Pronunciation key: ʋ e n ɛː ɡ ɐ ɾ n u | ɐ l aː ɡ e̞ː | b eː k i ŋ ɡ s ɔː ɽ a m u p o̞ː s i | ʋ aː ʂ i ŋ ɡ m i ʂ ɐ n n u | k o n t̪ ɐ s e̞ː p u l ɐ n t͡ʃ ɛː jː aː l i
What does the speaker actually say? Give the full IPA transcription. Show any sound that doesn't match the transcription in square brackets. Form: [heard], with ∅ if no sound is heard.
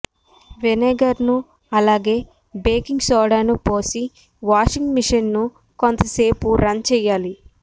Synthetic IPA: ʋ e n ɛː ɡ ɐ ɾ n u | ɐ l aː ɡ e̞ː | b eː k i ŋ ɡ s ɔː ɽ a [n] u p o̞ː s i | ʋ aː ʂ i ŋ ɡ m i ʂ ɐ n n u | k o n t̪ ɐ s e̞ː p u [ɾ] ɐ n t͡ʃ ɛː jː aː l i